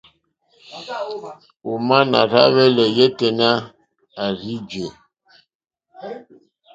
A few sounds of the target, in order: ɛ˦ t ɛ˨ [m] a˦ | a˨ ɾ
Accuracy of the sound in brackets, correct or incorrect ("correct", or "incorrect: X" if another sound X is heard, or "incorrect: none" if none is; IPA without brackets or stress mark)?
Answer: incorrect: n